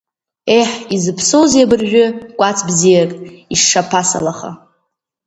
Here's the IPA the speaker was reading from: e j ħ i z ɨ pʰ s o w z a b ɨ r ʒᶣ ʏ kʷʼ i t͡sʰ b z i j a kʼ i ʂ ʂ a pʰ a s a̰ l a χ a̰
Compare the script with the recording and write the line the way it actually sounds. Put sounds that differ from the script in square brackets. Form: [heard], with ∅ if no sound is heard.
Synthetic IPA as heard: e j ħ i z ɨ pʰ s o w z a b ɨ r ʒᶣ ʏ kʷʼ [a] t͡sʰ b z i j a kʼ i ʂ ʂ a pʰ a s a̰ l a χ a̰